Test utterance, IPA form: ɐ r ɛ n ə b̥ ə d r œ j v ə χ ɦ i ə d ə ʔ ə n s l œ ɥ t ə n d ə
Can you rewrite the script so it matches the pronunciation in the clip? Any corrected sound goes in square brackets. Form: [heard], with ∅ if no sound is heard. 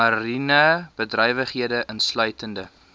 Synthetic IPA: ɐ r [i] n ə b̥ ə d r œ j v ə χ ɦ i ə d ə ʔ ə n s l œ ɥ t ə n d ə

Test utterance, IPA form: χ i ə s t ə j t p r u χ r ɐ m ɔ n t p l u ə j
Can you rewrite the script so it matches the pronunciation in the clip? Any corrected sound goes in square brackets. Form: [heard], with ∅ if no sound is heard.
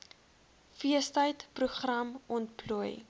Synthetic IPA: [f] i ə s t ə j t p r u χ r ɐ m ɔ n t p l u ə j

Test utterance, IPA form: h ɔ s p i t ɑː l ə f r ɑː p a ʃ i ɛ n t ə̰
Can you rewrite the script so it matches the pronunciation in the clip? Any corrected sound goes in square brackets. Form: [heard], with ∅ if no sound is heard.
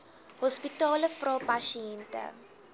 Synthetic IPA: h ɔ s p i t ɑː l ə f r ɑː p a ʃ i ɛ n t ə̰

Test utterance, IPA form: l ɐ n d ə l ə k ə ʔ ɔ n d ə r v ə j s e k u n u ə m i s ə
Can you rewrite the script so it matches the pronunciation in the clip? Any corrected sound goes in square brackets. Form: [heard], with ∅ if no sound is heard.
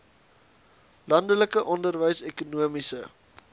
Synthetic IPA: l ɐ n d ə l ə k ə ʔ ɔ n d ə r v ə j s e k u n u ə m i s ə

